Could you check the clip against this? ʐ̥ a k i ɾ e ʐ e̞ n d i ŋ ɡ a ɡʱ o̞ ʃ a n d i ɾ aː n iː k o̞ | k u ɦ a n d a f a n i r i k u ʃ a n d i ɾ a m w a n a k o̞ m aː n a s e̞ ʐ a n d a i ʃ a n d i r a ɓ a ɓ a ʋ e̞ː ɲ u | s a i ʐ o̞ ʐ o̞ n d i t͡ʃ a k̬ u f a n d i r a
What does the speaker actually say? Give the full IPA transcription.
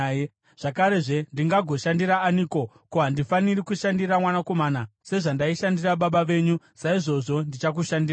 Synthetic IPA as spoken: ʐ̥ a k a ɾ e ʐ e̞ n d i ŋ ɡ a ɡʱ o̞ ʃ a n d i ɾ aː n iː k o̞ | k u ɦ a n d i f a n i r i k u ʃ a n d i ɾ a m w a n a k o̞ m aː n a s e̞ ʐ a n d a i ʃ a n d i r a ɓ a ɓ a ʋ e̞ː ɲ u | s a i ʐ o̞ ʐ o̞ n d i t͡ʃ a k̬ u ʃ a n d i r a